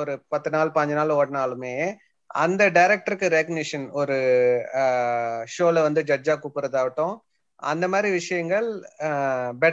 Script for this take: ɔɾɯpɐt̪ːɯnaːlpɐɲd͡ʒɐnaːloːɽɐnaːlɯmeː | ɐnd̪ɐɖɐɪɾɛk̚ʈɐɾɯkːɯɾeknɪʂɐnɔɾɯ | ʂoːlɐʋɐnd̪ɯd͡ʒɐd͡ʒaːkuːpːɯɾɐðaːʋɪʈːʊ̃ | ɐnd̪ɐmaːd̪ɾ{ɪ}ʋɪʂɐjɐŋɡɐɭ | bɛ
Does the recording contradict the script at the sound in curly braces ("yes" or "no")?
yes